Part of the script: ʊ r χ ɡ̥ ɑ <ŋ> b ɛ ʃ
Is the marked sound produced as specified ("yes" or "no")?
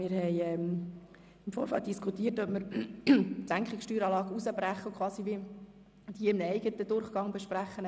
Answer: yes